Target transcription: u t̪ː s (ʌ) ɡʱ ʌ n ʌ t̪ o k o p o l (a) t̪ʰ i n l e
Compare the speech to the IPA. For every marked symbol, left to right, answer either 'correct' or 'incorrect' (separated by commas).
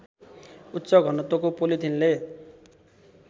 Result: correct, incorrect